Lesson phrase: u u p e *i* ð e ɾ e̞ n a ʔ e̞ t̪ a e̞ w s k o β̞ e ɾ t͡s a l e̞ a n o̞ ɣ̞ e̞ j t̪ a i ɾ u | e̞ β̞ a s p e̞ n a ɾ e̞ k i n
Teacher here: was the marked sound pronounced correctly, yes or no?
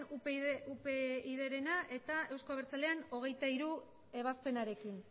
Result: yes